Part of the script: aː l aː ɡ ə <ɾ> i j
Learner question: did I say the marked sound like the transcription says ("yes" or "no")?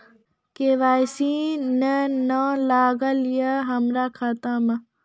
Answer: no